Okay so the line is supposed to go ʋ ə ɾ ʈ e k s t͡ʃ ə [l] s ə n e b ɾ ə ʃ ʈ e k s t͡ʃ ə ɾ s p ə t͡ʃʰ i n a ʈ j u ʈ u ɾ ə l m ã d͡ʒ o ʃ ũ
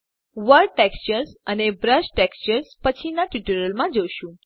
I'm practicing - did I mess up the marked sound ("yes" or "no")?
yes